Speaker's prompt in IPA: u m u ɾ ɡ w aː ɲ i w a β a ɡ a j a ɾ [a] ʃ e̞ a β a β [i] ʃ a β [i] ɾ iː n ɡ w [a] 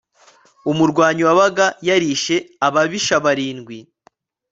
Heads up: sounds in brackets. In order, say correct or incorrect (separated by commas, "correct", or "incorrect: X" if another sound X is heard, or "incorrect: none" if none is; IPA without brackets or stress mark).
incorrect: i, correct, incorrect: a, incorrect: i